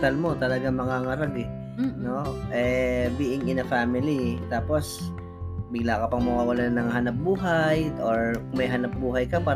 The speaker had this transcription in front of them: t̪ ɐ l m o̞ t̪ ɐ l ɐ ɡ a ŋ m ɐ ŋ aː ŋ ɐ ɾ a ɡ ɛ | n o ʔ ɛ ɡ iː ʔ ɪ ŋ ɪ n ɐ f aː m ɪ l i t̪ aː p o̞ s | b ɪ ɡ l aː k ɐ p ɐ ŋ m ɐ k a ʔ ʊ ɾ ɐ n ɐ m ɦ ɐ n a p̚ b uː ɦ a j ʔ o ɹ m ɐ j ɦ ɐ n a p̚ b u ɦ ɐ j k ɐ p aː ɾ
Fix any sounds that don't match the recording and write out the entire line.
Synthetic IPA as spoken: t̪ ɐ l m o̞ t̪ ɐ l ɐ ɡ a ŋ m ɐ ŋ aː ŋ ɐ ɾ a ɡ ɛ | n o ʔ ɛ b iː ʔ ɪ ŋ ɪ n ɐ f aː m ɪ l i t̪ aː p o̞ s | b ɪ ɡ l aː k ɐ p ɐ ŋ m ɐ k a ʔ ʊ l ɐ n ɐ ŋ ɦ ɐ n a p̚ b uː ɦ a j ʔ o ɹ m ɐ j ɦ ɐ n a p̚ b uː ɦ ɐ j k ɐ p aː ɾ